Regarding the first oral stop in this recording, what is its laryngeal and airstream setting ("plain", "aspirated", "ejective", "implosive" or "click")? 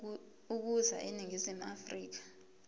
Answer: plain